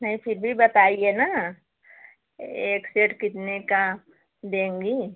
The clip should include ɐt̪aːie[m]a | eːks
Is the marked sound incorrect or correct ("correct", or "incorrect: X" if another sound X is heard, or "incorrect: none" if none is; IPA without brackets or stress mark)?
incorrect: n